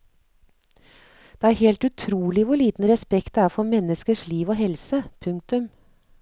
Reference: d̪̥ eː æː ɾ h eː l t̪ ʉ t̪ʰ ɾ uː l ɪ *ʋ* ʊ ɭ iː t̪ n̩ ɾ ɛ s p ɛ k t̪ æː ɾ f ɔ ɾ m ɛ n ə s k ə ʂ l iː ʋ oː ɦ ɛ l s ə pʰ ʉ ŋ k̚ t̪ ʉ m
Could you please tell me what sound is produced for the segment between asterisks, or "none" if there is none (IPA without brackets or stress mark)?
ʋ